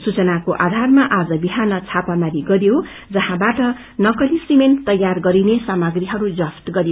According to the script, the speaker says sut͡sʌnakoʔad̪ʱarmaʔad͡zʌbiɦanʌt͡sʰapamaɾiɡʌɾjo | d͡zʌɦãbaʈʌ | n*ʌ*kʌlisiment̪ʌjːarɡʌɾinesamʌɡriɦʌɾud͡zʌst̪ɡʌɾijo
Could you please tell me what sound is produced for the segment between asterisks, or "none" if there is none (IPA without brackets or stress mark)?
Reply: ʌ